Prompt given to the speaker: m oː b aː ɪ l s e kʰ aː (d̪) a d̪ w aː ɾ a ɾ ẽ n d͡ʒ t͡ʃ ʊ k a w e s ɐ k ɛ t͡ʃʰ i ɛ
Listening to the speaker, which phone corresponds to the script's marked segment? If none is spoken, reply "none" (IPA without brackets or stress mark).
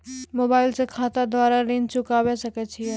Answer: t̪